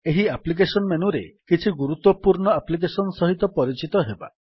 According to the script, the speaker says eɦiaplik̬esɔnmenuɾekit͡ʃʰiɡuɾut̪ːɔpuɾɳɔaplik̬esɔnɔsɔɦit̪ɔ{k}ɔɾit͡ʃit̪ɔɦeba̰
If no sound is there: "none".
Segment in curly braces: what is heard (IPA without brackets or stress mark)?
p